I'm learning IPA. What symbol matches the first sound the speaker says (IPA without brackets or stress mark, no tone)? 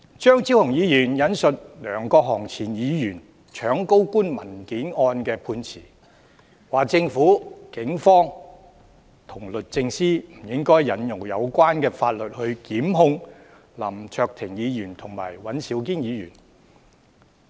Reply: t͡ʃ